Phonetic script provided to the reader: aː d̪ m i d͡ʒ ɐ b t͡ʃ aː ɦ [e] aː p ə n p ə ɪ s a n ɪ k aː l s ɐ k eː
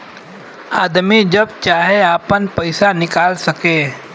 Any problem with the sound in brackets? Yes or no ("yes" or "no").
no